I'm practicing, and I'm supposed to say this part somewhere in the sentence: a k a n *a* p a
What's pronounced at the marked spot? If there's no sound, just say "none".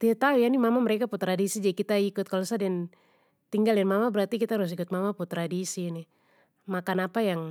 a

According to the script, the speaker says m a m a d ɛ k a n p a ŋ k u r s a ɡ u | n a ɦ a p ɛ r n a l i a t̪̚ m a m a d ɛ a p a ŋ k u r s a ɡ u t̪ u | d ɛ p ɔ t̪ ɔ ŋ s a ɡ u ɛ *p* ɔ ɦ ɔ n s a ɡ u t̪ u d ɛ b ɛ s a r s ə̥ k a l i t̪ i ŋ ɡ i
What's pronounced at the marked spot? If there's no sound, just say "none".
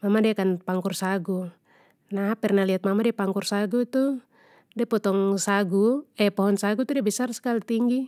p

